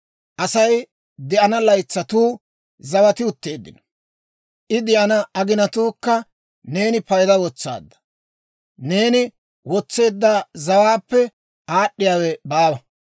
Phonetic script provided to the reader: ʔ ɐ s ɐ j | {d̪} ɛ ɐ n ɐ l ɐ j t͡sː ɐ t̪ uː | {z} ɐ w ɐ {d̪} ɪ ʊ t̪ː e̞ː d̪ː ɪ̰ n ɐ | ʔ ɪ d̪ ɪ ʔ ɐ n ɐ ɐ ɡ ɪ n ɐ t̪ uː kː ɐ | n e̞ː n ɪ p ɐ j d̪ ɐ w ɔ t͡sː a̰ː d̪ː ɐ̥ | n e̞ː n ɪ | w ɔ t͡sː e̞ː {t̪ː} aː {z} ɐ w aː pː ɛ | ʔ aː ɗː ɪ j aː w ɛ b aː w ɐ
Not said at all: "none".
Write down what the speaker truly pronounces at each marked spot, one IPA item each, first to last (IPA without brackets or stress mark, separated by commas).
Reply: d̪, z, t̪, d̪ː, z